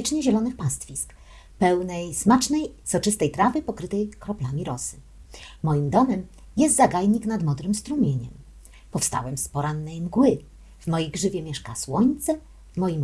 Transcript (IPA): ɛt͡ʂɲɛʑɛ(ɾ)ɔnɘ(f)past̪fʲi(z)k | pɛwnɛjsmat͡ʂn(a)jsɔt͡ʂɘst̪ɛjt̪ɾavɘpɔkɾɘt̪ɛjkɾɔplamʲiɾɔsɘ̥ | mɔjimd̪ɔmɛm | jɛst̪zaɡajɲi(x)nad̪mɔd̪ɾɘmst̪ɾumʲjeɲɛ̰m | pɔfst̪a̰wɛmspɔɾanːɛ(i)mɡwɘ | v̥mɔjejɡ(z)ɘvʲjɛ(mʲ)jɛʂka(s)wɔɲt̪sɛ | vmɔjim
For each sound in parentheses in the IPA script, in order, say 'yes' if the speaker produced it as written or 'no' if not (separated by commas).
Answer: no, no, no, no, no, no, no, yes, yes